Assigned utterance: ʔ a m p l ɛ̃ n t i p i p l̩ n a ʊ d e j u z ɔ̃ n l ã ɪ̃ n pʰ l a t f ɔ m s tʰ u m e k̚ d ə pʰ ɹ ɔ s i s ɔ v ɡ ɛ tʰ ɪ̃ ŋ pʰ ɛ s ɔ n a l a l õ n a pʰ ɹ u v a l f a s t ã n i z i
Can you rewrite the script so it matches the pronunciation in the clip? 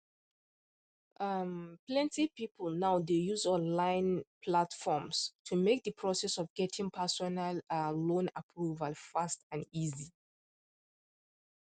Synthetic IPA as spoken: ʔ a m p l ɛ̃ n t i p i p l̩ n a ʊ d e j u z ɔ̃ n l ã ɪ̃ n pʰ l a t f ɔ m s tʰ u m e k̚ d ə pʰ ɹ ɔ s ɛ s ɔ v ɡ ɛ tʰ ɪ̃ ŋ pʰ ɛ s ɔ n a l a l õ n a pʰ ɹ u v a l f a s t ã n i z i